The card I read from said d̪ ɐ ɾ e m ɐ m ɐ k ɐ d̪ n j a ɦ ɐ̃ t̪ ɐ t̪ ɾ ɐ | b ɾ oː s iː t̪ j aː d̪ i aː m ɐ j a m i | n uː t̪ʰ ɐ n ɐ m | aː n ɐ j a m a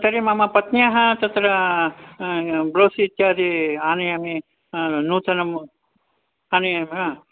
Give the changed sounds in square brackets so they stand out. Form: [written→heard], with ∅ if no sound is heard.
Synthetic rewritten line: [d̪→t̪] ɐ ɾ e m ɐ m ɐ [k→p] ɐ [d̪→t̪] n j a ɦ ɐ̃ t̪ ɐ t̪ ɾ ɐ | b ɾ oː s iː t̪ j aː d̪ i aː [m→n] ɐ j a m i | n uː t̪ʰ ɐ n ɐ m | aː n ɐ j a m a